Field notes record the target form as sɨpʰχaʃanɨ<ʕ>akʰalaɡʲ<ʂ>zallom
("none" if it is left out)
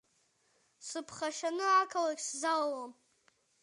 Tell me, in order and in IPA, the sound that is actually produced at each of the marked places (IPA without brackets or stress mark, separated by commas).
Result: ʕ, s